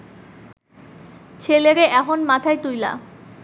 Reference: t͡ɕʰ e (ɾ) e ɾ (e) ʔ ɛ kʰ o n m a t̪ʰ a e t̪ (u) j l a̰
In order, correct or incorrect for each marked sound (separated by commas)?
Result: incorrect, correct, correct